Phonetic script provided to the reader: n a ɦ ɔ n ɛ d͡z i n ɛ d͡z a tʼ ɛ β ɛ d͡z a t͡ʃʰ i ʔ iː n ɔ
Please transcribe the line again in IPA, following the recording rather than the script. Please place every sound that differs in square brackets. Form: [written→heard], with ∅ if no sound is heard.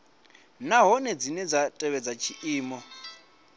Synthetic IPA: n a ɦ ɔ n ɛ d͡z i n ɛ d͡z a tʼ ɛ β ɛ d͡z a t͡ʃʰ i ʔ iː [n→m] ɔ